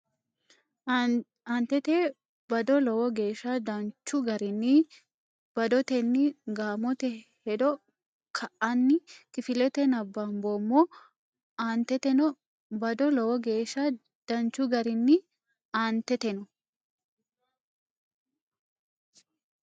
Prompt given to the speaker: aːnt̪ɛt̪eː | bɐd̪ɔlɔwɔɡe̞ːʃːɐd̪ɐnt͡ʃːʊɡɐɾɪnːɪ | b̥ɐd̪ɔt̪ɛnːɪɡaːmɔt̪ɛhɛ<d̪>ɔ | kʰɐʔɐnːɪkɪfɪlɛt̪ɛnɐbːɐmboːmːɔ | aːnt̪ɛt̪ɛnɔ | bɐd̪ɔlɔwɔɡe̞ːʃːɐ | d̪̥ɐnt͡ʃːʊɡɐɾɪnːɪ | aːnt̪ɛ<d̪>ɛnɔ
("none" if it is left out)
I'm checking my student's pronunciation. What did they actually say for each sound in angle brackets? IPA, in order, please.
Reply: d̪, t̪

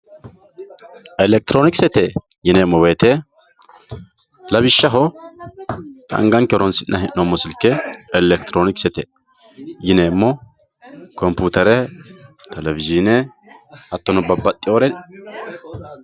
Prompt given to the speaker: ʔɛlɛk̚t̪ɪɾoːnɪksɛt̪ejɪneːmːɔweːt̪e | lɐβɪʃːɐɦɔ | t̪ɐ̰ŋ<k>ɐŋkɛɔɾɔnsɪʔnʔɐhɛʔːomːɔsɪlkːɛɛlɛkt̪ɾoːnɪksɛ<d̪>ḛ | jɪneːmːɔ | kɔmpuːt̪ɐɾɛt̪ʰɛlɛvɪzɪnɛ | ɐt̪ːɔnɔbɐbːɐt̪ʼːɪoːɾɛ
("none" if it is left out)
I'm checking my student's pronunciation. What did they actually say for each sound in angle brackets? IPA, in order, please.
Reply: ɡ, t̪

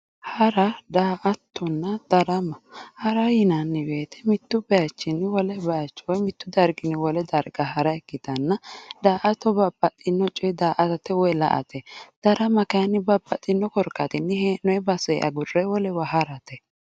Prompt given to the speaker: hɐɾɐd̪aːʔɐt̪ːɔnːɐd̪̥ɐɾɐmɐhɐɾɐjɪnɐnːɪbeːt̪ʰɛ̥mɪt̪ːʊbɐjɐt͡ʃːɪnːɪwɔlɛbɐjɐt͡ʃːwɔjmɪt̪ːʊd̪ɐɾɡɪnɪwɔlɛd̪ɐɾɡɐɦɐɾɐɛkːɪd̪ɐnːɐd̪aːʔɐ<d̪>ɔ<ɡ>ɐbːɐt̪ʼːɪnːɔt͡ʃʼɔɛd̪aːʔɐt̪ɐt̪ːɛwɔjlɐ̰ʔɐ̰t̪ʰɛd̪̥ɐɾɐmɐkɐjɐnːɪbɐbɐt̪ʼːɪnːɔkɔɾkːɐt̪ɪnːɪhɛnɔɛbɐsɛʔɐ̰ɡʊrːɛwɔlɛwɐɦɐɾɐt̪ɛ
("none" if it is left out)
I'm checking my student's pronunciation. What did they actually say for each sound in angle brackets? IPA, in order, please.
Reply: t̪, b

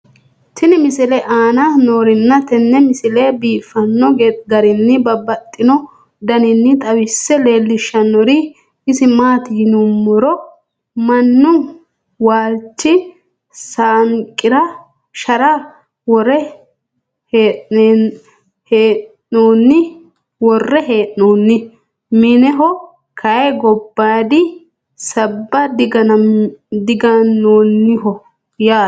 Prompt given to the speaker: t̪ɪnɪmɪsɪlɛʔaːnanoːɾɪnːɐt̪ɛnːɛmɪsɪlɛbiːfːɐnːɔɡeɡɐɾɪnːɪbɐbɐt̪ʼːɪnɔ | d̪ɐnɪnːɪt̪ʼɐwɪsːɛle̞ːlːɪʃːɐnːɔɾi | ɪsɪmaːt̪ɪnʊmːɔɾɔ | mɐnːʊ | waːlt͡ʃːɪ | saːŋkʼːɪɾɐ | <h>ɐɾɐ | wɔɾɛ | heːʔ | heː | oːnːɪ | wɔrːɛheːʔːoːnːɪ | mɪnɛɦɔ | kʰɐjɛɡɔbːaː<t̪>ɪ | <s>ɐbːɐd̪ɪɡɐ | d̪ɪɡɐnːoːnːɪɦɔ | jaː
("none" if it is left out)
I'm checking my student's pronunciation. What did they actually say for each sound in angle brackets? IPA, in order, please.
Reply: ʃ, d̪, s

